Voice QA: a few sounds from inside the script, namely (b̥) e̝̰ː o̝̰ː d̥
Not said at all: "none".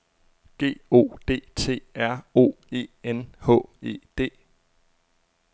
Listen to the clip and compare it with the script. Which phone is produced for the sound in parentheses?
ɡ̥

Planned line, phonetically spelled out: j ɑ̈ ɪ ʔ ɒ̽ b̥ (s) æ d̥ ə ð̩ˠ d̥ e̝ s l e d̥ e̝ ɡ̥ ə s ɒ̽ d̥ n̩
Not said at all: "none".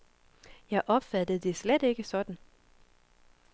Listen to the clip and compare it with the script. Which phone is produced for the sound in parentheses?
f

